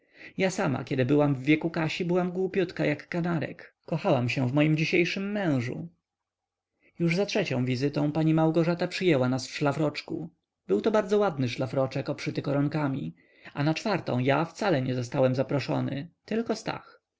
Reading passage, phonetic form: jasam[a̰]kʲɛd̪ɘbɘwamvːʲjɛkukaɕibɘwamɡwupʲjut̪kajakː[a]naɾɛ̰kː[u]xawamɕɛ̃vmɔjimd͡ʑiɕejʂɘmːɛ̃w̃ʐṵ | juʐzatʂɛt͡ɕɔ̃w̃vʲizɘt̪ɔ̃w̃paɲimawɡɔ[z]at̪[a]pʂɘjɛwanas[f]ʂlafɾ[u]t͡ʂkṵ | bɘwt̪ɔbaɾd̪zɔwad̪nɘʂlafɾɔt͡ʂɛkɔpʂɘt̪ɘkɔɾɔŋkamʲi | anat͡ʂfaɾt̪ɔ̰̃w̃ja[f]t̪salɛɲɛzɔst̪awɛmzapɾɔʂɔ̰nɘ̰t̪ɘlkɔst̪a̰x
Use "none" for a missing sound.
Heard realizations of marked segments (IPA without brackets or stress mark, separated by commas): a̰, a, ɔ, ʐ, a, f, ɔ, f